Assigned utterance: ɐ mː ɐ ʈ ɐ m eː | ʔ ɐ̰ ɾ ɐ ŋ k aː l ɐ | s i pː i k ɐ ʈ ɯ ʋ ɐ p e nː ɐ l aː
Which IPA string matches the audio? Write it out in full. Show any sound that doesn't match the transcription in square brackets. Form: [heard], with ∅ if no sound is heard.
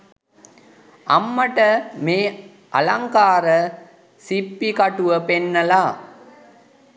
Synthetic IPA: ɐ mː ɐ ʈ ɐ m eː | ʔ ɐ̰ [l] ɐ ŋ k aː [ɾ] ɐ | s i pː i k ɐ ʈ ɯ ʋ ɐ p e nː ɐ l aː